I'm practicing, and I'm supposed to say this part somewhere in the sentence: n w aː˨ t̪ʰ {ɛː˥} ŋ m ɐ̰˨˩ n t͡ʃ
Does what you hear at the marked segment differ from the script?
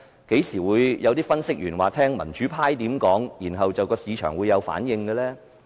no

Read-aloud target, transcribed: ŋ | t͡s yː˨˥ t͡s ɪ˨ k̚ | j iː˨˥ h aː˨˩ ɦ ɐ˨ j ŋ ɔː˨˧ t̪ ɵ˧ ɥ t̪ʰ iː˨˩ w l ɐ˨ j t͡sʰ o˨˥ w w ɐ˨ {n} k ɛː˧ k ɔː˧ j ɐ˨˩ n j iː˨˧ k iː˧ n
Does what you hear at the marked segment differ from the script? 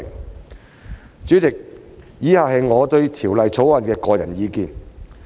no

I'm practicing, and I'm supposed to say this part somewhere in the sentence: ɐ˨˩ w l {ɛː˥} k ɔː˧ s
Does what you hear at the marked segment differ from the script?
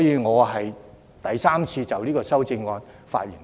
yes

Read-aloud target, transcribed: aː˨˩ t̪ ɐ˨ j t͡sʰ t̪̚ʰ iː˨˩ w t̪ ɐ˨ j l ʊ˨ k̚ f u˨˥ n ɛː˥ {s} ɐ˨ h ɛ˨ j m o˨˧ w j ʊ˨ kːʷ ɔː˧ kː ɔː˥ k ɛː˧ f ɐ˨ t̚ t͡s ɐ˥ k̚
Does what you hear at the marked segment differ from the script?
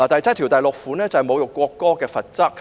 yes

